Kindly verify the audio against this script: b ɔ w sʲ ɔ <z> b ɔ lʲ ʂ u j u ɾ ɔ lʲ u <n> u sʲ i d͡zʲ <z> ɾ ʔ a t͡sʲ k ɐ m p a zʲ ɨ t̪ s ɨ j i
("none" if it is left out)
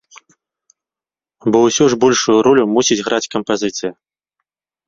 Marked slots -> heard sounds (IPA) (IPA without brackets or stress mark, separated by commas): ʐ, m, ɣ